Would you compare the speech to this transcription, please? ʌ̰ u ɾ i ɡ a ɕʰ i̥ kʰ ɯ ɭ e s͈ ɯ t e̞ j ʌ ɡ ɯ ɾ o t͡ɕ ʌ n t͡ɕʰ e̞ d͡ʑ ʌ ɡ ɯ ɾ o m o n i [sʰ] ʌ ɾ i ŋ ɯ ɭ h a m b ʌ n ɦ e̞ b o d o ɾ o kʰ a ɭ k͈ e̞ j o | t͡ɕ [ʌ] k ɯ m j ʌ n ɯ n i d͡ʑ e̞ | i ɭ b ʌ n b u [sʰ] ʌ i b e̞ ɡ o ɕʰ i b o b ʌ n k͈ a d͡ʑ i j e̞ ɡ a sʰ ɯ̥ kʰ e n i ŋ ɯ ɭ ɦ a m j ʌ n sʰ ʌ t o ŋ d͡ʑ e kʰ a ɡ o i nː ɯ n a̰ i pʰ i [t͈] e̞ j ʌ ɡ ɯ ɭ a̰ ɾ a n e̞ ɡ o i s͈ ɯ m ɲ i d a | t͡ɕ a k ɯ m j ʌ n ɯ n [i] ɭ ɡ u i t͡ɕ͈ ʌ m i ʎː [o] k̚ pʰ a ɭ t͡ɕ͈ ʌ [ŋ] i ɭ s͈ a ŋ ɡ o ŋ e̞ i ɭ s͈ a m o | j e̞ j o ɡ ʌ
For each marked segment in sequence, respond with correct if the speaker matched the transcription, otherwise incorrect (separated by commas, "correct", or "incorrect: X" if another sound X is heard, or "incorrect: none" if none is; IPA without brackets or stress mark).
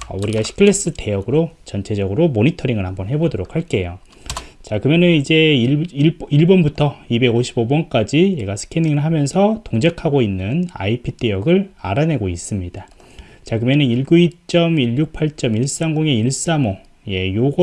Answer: incorrect: tʰ, incorrect: a, incorrect: tʰ, correct, correct, incorrect: u, incorrect: m